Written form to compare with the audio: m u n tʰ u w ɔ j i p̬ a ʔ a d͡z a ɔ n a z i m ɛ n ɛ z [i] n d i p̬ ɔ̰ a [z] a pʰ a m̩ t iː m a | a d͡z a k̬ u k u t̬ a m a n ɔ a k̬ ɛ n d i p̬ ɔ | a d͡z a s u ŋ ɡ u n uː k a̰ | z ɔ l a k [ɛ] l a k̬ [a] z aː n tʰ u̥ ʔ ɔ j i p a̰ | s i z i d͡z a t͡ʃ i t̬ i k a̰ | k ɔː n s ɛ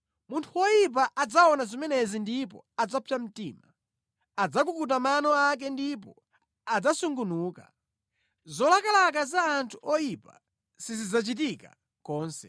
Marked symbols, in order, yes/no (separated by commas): yes, no, no, yes